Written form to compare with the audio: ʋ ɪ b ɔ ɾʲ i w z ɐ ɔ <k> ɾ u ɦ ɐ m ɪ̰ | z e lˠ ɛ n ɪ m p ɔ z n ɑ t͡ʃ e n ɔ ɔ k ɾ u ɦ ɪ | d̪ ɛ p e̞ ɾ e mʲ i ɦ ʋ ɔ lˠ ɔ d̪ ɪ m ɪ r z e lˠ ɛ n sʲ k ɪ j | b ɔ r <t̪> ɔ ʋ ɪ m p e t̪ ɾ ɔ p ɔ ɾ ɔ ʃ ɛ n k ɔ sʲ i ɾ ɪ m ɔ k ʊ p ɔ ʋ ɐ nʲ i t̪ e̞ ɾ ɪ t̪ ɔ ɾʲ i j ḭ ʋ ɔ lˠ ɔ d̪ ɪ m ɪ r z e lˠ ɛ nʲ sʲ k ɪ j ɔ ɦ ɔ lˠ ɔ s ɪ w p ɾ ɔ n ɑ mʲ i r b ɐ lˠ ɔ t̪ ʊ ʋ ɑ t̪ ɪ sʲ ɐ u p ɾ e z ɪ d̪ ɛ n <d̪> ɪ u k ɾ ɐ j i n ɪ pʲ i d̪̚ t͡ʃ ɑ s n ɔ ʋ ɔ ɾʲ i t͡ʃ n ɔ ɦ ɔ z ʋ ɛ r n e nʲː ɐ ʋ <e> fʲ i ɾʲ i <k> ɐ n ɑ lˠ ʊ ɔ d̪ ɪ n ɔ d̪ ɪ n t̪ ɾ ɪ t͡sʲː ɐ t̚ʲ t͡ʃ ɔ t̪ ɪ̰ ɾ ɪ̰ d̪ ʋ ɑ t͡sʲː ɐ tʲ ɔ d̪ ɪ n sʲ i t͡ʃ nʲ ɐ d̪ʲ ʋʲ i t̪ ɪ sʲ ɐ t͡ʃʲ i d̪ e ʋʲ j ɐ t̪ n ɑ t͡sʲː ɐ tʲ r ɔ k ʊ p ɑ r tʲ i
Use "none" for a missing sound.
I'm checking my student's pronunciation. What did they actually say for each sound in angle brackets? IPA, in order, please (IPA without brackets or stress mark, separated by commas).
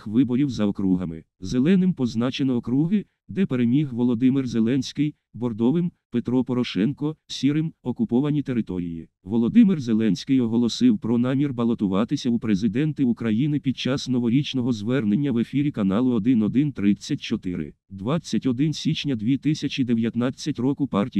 k, d̪, t̪, e, k